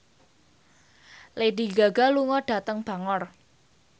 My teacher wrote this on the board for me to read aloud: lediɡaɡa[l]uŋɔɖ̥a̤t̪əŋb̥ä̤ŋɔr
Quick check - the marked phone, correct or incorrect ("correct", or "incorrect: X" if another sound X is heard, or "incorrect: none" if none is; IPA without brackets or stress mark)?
correct